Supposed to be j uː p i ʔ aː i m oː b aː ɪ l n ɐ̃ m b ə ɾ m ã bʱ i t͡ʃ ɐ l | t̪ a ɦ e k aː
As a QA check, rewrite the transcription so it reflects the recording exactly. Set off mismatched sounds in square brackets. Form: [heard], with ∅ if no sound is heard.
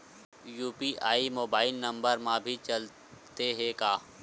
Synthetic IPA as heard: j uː p i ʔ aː i m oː b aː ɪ l n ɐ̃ m b ə ɾ m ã bʱ i t͡ʃ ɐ l | t̪ [e] ɦ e k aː